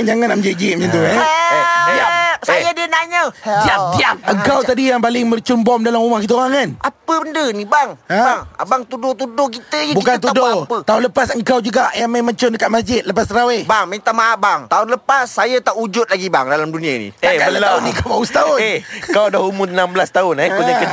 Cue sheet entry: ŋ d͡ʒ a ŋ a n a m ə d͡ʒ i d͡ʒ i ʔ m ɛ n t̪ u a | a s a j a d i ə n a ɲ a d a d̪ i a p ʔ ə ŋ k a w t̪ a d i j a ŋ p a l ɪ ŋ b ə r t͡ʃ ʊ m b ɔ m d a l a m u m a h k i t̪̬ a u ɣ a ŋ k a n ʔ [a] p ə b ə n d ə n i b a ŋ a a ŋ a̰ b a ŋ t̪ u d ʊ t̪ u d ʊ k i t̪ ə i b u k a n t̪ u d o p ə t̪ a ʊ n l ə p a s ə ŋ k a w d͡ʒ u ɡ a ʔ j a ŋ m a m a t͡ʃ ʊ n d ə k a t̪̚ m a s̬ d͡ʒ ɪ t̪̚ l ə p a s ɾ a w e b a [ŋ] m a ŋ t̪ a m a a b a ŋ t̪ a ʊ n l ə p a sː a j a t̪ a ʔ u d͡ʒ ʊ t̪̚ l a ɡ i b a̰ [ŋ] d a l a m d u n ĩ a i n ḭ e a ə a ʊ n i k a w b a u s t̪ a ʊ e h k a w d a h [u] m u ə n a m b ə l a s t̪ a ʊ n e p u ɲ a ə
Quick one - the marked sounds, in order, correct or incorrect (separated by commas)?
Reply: correct, correct, correct, correct